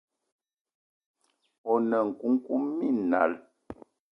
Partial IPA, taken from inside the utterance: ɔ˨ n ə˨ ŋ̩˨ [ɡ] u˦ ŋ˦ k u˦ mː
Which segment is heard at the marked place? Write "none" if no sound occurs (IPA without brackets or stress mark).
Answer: k